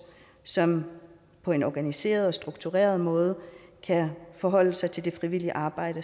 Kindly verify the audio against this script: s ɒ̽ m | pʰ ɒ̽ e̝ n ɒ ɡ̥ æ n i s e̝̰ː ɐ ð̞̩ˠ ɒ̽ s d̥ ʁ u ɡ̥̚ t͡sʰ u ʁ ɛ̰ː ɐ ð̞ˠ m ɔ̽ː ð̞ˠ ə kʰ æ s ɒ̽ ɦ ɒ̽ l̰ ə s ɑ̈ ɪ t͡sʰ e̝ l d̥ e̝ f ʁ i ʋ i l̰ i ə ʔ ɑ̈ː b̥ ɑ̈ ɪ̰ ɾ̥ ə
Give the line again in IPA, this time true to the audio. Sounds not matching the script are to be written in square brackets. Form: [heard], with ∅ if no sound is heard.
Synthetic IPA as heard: s ɒ̽ m | pʰ ɒ̽ e̝ n ɒ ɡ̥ æ n i s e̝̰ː ɐ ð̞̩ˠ ɒ̽ s d̥ ʁ u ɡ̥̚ t͡sʰ u ʁ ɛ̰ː ɐ ð̞ˠ m ɔ̽ː ð̞ˠ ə kʰ æ [f] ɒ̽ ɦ ɒ̽ l̰ ə s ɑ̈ ɪ t͡sʰ e̝ l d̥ e̝ f ʁ i ʋ i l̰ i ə ʔ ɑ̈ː b̥ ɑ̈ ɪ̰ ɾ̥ ə

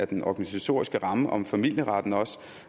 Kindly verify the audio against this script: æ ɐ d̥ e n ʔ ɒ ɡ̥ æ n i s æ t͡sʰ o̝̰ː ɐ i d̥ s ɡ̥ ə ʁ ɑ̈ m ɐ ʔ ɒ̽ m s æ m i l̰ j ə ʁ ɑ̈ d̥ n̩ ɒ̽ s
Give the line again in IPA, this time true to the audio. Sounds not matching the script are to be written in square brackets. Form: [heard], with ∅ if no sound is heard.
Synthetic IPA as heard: æ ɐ d̥ e n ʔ ɒ ɡ̥ æ n i s æ t͡sʰ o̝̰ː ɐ i [∅] s ɡ̥ ə ʁ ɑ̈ m [ə] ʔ ɒ̽ m [f] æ m i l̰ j ə ʁ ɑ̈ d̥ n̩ ɒ̽ s

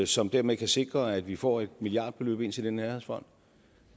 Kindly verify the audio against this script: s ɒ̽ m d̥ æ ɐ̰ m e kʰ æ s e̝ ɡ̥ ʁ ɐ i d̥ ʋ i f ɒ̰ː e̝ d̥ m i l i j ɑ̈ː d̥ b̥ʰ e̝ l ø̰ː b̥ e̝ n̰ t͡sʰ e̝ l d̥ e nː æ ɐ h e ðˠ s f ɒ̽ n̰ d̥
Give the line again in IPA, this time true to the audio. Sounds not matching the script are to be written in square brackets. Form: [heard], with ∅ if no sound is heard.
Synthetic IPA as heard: s ɒ̽ m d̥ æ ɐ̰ m e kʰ æ s e̝ ɡ̥ ʁ ɐ [æ] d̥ ʋ i f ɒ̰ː e̝ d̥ m i l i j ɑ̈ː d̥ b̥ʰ e̝ l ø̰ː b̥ e̝ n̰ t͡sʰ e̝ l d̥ e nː æ ɐ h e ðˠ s f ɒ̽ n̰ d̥

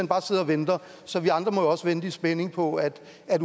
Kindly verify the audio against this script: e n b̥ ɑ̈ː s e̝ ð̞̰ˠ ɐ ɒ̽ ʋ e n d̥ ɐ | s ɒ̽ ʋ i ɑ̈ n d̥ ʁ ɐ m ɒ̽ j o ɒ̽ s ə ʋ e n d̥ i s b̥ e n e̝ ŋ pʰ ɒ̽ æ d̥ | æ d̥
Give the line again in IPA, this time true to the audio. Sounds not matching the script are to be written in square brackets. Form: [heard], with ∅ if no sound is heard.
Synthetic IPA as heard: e n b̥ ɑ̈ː s e̝ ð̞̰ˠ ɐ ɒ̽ ʋ e n d̥ ɐ | s ɒ̽ ʋ i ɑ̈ n d̥ ʁ ɐ m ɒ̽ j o ɒ̽ s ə ʋ e n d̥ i s b̥ e n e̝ ŋ pʰ ɒ̽ æ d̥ | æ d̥

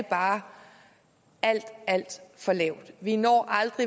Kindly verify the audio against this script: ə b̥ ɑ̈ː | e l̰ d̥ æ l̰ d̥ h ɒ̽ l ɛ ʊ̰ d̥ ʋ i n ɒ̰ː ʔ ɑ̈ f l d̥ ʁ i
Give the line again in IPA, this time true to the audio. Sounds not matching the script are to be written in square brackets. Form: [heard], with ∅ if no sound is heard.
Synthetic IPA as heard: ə b̥ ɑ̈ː | [æ] l̰ d̥ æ l̰ d̥ [f] ɒ̽ l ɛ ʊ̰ d̥ ʋ i n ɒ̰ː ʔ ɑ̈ [∅] l d̥ ʁ i

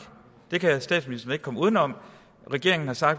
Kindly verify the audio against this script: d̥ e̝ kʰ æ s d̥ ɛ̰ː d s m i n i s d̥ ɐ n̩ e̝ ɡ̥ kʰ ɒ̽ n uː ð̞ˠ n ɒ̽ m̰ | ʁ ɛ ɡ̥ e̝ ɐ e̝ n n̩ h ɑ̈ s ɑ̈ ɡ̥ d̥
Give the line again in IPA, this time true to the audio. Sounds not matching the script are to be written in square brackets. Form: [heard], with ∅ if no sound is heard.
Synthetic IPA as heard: d̥ e̝ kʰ æ s d̥ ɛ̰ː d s m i n i s d̥ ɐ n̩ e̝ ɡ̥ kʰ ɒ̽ [m] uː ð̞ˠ n ɒ̽ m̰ | ʁ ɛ ɡ̥ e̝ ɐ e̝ [ŋ] n̩ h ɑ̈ s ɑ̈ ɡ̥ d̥

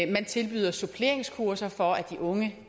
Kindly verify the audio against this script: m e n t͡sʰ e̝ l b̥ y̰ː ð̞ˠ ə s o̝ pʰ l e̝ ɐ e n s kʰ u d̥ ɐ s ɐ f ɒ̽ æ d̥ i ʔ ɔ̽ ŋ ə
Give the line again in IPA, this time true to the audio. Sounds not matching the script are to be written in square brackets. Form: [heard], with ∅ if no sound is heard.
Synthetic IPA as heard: m [æ] n t͡sʰ e̝ l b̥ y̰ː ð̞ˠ [ɐ] s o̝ pʰ l e̝ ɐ e [ŋ] s kʰ u [∅] ɐ s ɐ f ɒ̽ æ d̥ i ʔ ɔ̽ ŋ ə

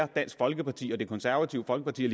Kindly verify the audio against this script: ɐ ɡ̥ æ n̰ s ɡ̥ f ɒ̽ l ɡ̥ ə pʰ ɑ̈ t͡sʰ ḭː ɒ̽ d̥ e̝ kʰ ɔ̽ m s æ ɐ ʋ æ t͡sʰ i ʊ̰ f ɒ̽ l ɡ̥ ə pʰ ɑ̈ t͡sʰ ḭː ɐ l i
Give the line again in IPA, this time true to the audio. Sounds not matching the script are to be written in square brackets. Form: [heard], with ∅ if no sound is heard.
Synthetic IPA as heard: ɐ [d̥] æ n̰ s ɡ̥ f ɒ̽ l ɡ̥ ə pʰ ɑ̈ t͡sʰ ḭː ɒ̽ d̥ e̝ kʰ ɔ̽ [n] s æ ɐ ʋ æ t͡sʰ i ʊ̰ f ɒ̽ l ɡ̥ ə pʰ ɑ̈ t͡sʰ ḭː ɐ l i

